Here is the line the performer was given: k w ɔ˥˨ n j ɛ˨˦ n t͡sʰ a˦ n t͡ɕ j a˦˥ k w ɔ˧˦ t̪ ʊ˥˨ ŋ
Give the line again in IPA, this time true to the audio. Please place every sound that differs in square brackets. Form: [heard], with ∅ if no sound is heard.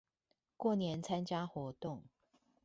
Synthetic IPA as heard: k w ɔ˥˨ n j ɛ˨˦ n t͡sʰ a˦ n t͡ɕ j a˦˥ [x] w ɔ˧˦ t̪ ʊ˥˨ ŋ